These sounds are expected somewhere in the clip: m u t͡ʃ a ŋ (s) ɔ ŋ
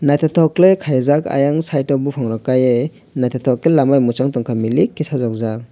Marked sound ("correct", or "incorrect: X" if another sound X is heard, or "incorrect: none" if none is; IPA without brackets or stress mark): incorrect: t